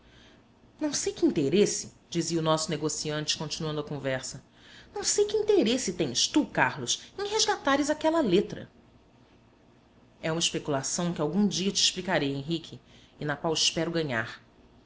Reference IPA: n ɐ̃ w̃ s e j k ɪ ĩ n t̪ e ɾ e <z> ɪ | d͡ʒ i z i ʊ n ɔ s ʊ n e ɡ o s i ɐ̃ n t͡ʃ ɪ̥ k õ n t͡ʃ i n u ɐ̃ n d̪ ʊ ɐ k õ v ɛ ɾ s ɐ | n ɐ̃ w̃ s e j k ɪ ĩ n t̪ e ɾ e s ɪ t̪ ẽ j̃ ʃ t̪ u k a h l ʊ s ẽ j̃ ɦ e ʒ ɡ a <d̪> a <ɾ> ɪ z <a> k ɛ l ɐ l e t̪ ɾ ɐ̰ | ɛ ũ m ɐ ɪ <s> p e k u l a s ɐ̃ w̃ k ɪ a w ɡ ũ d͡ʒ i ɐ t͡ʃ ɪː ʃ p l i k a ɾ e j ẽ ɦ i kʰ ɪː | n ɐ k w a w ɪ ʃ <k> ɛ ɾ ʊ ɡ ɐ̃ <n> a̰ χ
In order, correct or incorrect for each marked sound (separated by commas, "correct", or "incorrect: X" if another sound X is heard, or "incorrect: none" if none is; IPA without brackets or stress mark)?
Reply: incorrect: s, incorrect: t̪, correct, correct, incorrect: ʃ, incorrect: p, incorrect: ɲ